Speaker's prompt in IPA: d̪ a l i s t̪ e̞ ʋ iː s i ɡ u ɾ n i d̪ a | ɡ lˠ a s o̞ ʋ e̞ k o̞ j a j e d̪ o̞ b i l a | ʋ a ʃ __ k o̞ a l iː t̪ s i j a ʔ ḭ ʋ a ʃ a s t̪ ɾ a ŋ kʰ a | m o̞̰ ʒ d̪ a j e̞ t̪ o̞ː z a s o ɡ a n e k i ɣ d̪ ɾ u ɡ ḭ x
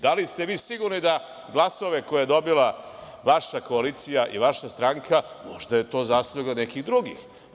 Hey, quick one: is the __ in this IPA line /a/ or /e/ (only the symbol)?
a